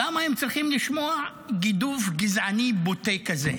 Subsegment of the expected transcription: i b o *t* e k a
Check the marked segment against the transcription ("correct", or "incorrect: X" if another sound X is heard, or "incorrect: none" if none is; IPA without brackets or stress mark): correct